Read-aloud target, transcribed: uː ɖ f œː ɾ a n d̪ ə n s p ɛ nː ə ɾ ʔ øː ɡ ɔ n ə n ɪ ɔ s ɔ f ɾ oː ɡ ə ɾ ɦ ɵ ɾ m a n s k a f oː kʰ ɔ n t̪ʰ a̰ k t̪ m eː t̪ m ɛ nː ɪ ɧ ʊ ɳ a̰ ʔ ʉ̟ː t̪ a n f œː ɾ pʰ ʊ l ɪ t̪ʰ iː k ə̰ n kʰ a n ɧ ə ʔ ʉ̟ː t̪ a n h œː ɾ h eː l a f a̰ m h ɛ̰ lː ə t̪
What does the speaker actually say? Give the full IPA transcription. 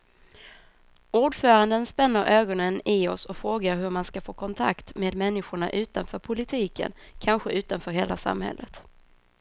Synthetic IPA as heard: uː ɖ f œː ɾ a n d̪ ə n s p ɛ nː ə ɾ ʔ øː ɡ ɔ n ə n ɪ ɔ s ɔ f ɾ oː ɡ a ɾ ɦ ɵ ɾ m a n s k a f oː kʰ ɔ n t̪ʰ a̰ k t̪ m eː d̪ m ɛ nː ɪ ɧ ʊ ɳ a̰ ʔ ʉ̟ː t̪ a n f œː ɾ pʰ ʊ l ɪ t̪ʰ iː k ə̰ n kʰ a n ɧ ə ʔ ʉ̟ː t̪ a n f œː ɾ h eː l a s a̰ m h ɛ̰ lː ə t̪